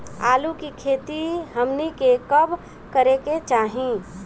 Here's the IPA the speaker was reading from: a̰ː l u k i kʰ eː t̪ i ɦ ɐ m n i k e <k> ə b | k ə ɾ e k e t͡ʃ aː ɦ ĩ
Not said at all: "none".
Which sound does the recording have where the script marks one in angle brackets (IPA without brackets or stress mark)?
k